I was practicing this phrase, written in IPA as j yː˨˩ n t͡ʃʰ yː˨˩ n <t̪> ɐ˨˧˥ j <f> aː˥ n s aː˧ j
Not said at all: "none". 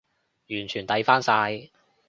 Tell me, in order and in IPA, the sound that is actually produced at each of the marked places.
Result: t̪, f

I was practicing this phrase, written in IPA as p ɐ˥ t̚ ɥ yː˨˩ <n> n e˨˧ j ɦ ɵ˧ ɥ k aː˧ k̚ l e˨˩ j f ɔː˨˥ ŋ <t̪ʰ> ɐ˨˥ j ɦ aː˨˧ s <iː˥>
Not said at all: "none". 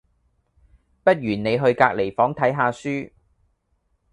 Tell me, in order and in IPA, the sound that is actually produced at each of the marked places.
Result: n, t̪ʰ, yː˥

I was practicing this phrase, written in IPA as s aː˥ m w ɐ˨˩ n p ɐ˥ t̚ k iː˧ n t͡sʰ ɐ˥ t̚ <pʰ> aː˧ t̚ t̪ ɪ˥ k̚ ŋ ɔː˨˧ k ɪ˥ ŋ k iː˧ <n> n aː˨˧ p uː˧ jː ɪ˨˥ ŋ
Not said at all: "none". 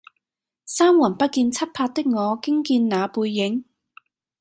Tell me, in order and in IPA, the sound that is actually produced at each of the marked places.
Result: pʰ, n

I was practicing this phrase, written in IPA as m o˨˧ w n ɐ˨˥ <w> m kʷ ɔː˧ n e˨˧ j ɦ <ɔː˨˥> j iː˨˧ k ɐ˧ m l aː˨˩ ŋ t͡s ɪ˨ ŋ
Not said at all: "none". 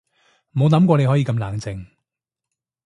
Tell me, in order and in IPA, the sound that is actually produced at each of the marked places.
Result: none, ɔ˨˥

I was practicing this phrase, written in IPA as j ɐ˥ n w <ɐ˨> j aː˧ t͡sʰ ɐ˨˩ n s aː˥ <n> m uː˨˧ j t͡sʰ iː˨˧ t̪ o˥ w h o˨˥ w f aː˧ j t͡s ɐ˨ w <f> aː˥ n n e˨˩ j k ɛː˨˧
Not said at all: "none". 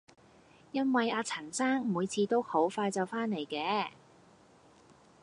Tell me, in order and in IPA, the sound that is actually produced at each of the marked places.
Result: ɐ˨, ŋ, f

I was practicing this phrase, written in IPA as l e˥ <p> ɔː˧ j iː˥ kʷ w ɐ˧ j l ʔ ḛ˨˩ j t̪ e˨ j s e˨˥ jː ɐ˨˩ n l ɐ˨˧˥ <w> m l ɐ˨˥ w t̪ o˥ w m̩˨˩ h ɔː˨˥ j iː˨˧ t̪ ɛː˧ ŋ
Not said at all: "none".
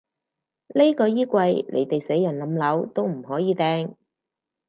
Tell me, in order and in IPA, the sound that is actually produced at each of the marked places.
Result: k, none

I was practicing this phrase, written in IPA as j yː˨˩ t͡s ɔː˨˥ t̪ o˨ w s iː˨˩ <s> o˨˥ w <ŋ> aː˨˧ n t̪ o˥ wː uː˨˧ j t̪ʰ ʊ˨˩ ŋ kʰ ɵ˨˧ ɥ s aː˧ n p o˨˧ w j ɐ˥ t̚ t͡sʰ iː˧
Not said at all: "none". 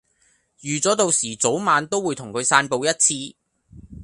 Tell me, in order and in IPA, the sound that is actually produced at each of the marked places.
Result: t͡s, m

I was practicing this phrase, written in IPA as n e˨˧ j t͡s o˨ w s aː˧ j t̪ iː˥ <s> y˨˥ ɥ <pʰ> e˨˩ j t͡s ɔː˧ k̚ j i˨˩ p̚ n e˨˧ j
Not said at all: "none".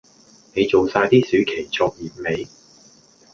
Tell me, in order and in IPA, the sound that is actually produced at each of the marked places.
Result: s, kʰ

